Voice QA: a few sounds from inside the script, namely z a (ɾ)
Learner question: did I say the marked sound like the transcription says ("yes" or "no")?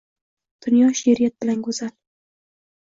no